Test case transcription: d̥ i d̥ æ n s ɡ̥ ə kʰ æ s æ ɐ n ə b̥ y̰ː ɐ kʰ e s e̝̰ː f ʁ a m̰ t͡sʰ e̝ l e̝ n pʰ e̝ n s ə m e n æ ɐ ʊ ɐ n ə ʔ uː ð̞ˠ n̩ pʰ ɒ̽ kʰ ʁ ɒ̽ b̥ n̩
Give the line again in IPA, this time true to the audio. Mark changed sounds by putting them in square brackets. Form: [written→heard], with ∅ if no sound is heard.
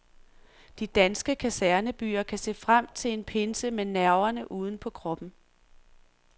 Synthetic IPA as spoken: d̥ i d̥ æ n s ɡ̥ ə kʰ æ s æ ɐ n ə b̥ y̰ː ɐ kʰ [e→æ] s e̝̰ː f ʁ a m̰ t͡sʰ e̝ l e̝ n pʰ e̝ n s ə m e n æ ɐ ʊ ɐ n ə ʔ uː ð̞ˠ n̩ pʰ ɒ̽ kʰ ʁ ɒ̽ b̥ n̩